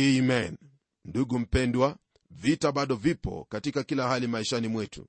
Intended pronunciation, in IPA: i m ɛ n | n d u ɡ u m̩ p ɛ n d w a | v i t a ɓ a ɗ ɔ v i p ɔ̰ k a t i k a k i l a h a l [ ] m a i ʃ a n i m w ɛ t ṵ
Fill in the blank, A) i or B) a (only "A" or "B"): A